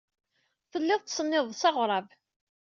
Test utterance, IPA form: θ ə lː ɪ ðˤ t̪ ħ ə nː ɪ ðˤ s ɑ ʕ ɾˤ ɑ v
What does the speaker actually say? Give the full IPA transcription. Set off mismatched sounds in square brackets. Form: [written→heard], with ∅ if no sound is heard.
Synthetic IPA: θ ə lː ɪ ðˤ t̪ [ħ→s] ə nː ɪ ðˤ s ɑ [ʕ→ʁ] ɾˤ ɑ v